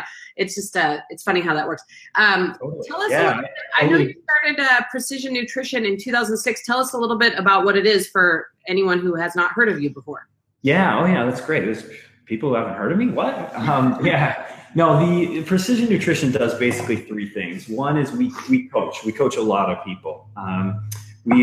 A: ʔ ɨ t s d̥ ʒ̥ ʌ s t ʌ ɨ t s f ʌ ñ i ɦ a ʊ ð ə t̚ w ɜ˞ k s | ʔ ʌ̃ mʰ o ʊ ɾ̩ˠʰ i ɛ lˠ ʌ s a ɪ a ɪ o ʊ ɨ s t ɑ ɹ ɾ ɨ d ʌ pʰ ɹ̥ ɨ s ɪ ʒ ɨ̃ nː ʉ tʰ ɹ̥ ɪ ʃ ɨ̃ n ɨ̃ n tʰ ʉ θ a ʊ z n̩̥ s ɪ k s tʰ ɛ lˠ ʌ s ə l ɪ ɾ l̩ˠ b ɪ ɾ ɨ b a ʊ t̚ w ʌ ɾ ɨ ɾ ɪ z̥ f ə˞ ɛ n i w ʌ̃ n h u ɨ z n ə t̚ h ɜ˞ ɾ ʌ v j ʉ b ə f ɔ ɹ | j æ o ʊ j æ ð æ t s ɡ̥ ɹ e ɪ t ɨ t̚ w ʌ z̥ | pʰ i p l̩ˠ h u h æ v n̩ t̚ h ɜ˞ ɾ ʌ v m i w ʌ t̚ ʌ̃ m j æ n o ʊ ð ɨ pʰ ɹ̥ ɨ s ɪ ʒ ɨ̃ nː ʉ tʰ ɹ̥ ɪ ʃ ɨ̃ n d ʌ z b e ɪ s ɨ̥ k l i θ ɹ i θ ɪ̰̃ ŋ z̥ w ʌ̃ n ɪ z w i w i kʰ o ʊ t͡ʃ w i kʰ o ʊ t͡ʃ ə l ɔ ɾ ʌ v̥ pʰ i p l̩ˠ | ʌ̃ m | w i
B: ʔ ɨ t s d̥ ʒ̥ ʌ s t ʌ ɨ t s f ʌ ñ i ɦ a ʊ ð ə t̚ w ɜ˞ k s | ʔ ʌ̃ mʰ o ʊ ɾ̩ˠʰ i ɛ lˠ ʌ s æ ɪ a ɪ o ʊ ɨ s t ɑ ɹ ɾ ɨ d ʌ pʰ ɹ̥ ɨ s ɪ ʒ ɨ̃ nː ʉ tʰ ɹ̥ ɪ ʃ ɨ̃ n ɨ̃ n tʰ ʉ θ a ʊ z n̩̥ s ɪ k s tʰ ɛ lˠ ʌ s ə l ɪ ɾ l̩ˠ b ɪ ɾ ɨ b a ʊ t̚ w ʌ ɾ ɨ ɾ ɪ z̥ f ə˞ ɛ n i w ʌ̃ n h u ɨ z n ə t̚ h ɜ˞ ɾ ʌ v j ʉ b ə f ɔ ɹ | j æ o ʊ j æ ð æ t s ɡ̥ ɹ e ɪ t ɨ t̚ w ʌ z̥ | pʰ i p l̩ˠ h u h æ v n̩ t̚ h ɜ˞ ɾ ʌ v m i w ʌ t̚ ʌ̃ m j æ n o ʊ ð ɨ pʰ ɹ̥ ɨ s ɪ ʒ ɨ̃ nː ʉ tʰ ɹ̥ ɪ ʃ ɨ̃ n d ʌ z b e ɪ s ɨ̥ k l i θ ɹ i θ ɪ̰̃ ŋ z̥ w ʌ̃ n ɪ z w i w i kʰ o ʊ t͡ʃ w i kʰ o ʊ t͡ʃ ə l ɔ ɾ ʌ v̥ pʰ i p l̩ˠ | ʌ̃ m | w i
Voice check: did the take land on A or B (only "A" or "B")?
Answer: B